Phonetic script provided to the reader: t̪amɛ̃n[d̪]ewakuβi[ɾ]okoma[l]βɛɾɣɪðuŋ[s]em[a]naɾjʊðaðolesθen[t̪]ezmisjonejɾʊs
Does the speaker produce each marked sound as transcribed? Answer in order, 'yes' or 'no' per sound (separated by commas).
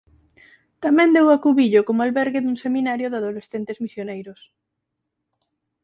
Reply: yes, no, yes, yes, no, yes